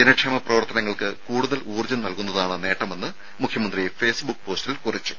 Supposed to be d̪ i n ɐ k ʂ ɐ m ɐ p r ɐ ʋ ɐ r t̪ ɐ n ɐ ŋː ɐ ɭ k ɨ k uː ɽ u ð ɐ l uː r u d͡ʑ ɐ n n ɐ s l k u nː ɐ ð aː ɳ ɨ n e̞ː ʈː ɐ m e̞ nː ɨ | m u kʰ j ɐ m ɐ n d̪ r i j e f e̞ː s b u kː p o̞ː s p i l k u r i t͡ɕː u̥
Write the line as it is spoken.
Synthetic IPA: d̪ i n ɐ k ʂ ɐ m ɐ p r ɐ ʋ ɐ r t̪ ɐ n ɐ ŋː ɐ ɭ k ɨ k uː ɽ u ð ɐ l uː r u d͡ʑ ɐ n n ɐ l k u nː ɐ ð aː ɳ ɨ n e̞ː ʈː ɐ m e̞ nː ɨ | m u kʰ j ɐ m ɐ n d̪ r i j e f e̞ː s b u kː p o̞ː s t i l k u r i t͡ɕː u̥